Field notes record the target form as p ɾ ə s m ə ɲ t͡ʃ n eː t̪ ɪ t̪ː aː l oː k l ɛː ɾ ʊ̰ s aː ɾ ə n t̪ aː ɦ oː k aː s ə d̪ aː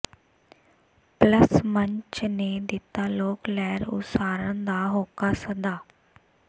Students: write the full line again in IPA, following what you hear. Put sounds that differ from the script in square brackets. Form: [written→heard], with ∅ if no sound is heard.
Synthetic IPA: p [ɾ→l] ə s m ə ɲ t͡ʃ n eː [t̪→d̪] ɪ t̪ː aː l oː k l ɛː ɾ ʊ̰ s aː ɾ ə n [t̪→d̪] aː ɦ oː k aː s ə d̪ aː